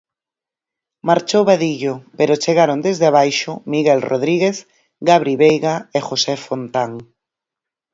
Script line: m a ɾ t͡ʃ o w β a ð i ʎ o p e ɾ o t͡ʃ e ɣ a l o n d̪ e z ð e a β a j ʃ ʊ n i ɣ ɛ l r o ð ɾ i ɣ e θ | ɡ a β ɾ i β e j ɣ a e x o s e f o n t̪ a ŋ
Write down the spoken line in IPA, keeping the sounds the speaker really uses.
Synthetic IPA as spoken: m a ɾ t͡ʃ o w β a ð i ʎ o p e ɾ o t͡ʃ e ɣ a ɾ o n d̪ e z ð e a β a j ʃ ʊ m i ɣ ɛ l r o ð ɾ i ɣ e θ | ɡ a β ɾ i β e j ɣ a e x o s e f o n t̪ a ŋ